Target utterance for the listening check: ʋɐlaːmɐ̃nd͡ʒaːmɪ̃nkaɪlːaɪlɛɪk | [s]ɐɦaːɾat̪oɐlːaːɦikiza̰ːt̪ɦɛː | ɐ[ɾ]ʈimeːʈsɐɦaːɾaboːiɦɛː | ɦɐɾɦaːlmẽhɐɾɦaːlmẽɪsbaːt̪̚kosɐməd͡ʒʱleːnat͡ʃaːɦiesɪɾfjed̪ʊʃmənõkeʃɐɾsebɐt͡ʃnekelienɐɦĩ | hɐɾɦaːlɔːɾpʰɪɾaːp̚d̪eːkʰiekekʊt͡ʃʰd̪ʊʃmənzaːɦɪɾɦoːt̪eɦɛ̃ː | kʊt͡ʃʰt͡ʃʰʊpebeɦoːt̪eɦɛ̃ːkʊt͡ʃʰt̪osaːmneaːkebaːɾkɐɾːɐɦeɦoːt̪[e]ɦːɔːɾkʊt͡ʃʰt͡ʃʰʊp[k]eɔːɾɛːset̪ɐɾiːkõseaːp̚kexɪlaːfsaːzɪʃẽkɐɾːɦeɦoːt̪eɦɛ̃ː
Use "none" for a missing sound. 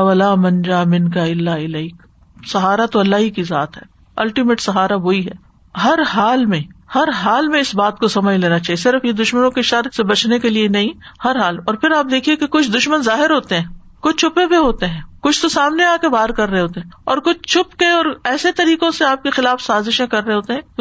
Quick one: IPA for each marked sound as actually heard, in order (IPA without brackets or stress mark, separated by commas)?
s, l, e, k